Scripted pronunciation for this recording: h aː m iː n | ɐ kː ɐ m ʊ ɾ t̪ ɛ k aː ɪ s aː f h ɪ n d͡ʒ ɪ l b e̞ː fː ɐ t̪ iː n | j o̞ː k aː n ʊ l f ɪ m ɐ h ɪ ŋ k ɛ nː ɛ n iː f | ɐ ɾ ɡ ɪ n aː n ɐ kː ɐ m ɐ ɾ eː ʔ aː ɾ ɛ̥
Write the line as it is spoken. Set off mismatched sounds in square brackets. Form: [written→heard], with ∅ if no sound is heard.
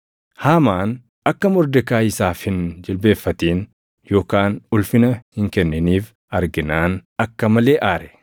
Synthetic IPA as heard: h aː m [iː→aː] n | ɐ kː ɐ m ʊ ɾ [t̪→d̪] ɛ k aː ɪ s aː f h ɪ n d͡ʒ ɪ l b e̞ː fː ɐ t̪ iː n | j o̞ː k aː n ʊ l f ɪ [m→n] ɐ h ɪ ŋ k ɛ nː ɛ n iː f | ɐ ɾ ɡ ɪ n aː n ɐ kː ɐ m ɐ [ɾ→l] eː ʔ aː ɾ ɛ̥